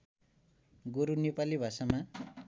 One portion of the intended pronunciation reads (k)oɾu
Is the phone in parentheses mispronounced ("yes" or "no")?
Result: yes